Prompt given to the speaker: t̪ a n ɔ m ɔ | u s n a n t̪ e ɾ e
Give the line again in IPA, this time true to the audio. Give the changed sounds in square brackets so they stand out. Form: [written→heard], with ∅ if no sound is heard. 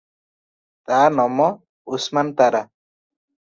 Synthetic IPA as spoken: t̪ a n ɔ m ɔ | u s [n→m] a n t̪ [e→a] ɾ [e→a]